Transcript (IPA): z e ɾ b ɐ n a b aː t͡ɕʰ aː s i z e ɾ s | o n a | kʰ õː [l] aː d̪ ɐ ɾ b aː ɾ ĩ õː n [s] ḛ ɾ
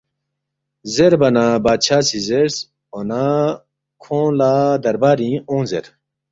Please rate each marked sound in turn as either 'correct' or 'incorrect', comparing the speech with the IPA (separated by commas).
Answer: correct, incorrect